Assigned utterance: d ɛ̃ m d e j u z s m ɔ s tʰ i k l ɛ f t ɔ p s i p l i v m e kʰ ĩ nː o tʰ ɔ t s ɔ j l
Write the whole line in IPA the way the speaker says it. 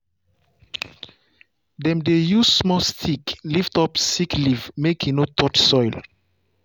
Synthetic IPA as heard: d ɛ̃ m d e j u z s m ɔ s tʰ i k l i f t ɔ p s i k l i v m e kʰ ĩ n o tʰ ɔ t s ɔ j l